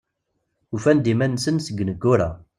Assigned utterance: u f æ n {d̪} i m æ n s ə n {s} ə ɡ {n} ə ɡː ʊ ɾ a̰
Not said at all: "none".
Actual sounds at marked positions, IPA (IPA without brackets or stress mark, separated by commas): d̪, s, n